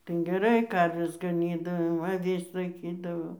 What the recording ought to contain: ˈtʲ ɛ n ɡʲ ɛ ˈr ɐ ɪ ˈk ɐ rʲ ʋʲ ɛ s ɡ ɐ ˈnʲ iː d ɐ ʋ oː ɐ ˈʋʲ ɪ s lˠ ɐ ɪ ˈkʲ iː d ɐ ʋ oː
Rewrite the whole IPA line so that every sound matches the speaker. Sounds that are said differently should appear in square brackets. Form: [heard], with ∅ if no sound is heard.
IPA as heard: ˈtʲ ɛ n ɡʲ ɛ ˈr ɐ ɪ ˈk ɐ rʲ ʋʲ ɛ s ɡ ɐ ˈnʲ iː d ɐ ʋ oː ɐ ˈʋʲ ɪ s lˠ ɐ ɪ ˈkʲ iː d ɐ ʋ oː

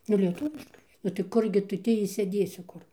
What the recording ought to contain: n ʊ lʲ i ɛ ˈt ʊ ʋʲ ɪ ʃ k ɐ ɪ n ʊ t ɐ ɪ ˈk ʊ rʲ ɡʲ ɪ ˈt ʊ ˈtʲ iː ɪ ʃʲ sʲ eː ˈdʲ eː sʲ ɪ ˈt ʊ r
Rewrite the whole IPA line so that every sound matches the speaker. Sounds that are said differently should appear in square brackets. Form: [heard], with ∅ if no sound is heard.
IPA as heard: n ʊ lʲ i ɛ ˈt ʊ ʋʲ ɪ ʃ k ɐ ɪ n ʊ t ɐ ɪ ˈk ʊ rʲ ɡʲ ɪ ˈt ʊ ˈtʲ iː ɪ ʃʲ sʲ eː ˈdʲ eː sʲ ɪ [ˈk] ʊ r

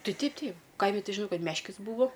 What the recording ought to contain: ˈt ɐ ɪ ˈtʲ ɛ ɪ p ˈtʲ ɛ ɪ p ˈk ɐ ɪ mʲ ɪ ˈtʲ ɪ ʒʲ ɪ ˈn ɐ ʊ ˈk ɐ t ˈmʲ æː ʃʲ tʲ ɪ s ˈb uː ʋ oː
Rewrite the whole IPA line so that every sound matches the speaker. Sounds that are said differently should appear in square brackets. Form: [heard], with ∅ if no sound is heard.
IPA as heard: ˈt ɐ ɪ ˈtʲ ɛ ɪ p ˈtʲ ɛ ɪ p ˈk ɐ ɪ mʲ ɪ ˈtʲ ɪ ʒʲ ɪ ˈn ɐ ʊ ˈk ɐ t ˈmʲ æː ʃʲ [kʲ] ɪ s ˈb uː ʋ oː

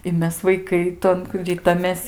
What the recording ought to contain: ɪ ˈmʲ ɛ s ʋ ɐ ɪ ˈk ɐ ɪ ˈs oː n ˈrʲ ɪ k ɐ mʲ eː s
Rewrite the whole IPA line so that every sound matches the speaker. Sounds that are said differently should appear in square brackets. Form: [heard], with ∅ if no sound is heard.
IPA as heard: ɪ ˈmʲ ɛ s ʋ ɐ ɪ ˈk ɐ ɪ [ˈt] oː n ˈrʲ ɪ [t] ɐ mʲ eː s

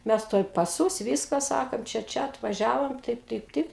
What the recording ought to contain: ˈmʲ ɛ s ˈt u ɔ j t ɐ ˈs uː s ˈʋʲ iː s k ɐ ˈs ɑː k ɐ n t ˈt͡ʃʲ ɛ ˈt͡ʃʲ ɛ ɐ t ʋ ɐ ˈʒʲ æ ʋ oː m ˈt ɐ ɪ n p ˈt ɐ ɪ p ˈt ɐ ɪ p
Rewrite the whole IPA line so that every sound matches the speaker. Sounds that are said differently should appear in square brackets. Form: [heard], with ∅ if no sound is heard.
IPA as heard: ˈmʲ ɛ s ˈt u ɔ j [p] ɐ ˈs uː s ˈʋʲ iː s k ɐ ˈs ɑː k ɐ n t ˈt͡ʃʲ ɛ ˈt͡ʃʲ ɛ ɐ t ʋ ɐ ˈʒʲ [æː] ʋ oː m ˈt ɐ ɪ [∅] p ˈt ɐ ɪ p ˈt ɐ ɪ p

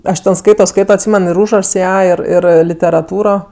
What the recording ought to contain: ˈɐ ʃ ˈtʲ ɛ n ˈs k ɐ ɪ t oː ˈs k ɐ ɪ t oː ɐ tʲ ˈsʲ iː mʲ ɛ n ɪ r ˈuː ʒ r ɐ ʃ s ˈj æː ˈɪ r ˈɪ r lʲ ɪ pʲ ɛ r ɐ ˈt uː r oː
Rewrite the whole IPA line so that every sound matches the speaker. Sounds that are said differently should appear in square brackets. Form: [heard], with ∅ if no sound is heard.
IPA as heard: ˈɐ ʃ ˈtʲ ɛ n ˈs k ɐ ɪ t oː ˈs k ɐ ɪ t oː ɐ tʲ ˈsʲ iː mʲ ɛ n ɪ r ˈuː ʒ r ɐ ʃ s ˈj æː ˈɪ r ˈɪ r lʲ ɪ [tʲ] ɛ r ɐ ˈt uː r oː

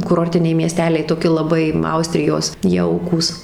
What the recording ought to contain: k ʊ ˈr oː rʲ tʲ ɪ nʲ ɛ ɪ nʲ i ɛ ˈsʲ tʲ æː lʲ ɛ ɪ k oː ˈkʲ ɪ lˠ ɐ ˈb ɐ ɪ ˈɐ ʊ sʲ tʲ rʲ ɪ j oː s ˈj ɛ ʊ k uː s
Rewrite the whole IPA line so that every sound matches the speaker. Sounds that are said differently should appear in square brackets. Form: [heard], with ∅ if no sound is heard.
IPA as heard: k ʊ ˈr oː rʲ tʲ ɪ nʲ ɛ ɪ [mʲ] i ɛ ˈsʲ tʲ æː lʲ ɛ ɪ [t] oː ˈkʲ ɪ lˠ ɐ ˈb ɐ ɪ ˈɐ ʊ sʲ tʲ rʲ ɪ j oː s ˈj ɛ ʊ k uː s

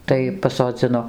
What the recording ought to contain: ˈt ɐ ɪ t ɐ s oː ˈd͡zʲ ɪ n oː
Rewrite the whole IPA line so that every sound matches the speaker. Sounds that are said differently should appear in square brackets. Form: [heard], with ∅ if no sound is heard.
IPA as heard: ˈt ɐ ɪ [p] ɐ s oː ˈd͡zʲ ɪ n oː

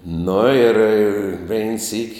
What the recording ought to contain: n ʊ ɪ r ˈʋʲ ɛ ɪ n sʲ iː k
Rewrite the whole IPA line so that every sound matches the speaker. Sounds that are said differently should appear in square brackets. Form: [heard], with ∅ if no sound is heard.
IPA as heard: n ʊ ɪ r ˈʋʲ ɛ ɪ n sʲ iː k

